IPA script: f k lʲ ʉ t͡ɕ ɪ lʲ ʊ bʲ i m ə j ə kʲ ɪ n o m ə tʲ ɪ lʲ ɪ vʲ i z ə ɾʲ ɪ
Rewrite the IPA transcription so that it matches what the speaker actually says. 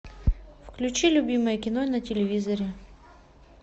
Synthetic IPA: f k lʲ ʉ t͡ɕ i lʲ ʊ bʲ i m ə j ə kʲ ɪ n o n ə tʲ ɪ lʲ ɪ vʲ i z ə ɾʲ ɪ